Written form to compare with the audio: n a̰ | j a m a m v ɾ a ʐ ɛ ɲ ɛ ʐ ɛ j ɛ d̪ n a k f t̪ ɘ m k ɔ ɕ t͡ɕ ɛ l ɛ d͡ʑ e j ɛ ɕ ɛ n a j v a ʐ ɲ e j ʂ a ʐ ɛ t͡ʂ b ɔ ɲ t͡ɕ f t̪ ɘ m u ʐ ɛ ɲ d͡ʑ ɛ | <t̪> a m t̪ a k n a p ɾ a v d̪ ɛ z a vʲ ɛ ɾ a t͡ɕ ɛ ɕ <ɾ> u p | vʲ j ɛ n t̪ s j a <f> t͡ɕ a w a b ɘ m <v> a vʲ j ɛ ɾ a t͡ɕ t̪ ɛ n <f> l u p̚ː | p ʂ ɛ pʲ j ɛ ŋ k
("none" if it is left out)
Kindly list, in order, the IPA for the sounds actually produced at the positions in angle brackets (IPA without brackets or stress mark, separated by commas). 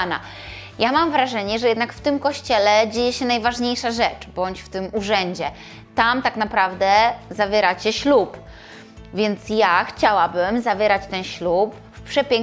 t̪, l, x, z, ɕ